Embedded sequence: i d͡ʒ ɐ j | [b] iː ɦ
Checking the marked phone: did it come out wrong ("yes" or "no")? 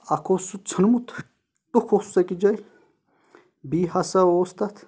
no